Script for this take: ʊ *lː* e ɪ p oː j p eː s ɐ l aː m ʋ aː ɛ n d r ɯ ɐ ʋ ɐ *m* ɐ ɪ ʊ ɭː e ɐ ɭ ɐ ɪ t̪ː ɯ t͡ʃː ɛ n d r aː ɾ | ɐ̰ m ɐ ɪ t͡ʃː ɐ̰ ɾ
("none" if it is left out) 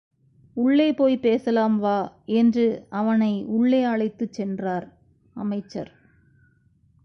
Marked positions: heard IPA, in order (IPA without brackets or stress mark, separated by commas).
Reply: ɭː, n